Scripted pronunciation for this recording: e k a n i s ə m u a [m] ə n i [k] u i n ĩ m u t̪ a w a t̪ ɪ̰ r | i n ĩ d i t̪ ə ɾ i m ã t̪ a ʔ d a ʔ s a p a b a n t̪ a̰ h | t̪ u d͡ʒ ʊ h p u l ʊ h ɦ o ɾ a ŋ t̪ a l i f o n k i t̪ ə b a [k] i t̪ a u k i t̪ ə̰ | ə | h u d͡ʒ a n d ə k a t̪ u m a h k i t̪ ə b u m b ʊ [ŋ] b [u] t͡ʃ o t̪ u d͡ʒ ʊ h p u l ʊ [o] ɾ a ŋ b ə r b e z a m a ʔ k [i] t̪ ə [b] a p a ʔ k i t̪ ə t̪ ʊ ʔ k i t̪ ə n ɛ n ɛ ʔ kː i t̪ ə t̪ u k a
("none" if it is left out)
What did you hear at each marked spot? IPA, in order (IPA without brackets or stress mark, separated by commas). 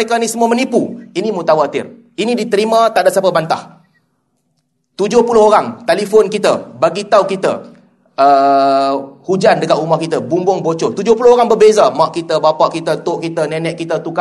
m, p, ɡ, ŋ, o, o, i, b